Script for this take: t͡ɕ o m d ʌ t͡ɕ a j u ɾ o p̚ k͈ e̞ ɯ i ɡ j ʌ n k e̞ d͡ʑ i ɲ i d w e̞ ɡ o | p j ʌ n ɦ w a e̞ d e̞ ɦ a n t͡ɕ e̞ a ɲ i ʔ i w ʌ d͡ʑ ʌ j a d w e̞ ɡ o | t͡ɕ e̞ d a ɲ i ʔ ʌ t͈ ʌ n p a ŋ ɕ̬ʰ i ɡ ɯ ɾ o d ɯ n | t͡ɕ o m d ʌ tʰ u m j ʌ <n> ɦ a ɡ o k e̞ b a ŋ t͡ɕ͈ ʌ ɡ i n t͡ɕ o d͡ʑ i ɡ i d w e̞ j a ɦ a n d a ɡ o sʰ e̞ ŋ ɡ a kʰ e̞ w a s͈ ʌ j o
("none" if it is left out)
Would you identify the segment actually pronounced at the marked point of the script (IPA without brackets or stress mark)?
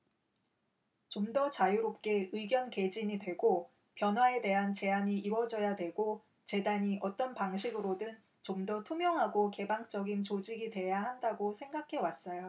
ŋ